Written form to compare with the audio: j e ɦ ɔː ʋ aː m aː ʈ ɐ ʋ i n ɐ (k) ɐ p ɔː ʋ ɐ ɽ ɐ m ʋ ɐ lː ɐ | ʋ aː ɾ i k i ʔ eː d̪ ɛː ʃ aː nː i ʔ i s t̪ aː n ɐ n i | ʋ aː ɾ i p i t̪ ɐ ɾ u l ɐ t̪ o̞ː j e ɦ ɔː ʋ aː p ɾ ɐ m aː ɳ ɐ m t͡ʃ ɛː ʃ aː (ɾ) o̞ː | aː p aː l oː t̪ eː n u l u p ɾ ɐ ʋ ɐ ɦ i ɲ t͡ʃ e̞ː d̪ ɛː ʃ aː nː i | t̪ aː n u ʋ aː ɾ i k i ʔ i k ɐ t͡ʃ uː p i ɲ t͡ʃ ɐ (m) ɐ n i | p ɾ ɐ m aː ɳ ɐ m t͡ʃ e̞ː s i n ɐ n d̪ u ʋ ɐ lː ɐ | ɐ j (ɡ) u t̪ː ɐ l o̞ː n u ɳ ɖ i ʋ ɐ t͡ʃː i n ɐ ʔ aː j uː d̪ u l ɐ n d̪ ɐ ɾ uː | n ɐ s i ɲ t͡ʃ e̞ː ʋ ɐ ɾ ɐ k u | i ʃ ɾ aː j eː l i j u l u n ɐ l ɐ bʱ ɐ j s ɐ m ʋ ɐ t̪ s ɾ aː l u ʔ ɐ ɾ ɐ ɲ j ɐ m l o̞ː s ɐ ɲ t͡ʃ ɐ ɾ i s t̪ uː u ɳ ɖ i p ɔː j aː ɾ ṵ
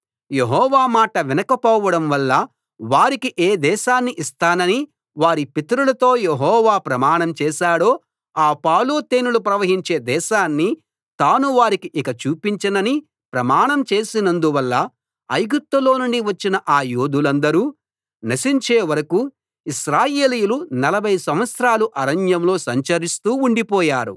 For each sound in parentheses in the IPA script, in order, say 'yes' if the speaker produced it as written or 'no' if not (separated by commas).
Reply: yes, no, no, yes